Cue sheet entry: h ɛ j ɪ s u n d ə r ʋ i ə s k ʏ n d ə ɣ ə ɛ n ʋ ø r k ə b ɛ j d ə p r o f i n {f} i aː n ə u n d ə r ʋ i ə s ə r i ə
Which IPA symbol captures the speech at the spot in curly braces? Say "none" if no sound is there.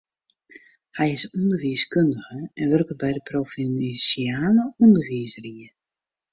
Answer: s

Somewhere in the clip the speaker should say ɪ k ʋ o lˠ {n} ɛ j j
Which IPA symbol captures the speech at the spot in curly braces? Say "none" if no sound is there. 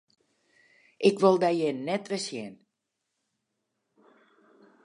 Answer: d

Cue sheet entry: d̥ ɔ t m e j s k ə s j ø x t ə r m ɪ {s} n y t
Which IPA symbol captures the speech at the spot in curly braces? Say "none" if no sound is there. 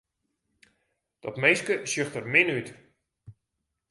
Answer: none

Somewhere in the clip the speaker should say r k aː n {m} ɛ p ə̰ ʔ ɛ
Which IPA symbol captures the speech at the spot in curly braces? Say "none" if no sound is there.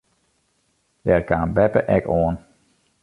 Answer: b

